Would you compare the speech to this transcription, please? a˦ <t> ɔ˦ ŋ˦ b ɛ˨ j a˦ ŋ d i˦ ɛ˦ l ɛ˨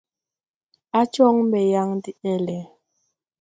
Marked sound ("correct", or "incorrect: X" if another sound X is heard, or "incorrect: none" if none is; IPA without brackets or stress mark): incorrect: t͡ʃ